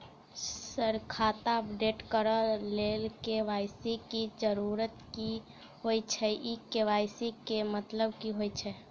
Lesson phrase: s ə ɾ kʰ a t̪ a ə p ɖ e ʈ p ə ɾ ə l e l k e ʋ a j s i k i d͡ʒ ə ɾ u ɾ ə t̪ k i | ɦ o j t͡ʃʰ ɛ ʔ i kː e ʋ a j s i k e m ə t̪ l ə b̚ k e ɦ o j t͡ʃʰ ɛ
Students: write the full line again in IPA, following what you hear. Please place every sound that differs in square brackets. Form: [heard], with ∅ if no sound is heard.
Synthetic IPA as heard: s ə ɾ kʰ a t̪ a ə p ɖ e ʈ [k] ə ɾ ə l e l k e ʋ a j s i k i d͡ʒ ə ɾ u ɾ ə t̪ k i | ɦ o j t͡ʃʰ ɛ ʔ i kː e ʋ a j s i k e m ə t̪ l ə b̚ k [i] ɦ o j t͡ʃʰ ɛ